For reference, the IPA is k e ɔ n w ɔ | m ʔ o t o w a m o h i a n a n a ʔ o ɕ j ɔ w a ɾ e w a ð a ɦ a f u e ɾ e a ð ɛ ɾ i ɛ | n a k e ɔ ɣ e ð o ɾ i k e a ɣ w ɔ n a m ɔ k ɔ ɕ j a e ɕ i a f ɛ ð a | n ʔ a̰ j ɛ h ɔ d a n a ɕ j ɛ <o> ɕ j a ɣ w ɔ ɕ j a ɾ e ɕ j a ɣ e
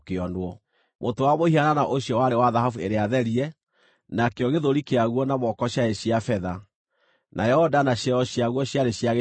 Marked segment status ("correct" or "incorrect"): incorrect